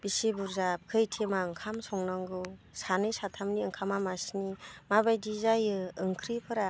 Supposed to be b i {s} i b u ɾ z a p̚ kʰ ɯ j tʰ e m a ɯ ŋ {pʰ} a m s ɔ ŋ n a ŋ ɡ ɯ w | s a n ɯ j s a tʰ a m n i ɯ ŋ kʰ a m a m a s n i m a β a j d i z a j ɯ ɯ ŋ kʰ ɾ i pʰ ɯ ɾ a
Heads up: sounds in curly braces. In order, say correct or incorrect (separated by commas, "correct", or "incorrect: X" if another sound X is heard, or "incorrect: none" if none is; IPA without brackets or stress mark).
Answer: correct, incorrect: kʰ